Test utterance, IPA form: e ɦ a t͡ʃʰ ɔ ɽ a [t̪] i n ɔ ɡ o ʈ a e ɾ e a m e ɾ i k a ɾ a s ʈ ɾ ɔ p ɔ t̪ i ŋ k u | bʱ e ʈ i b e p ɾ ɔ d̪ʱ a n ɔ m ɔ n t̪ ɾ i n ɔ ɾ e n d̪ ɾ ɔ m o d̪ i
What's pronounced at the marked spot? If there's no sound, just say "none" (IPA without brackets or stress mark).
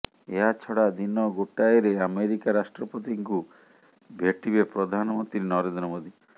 d̪